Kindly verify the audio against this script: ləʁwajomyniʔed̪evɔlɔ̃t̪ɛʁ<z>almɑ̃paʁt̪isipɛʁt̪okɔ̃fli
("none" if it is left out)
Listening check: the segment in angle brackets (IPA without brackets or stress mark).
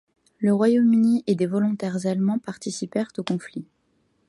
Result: z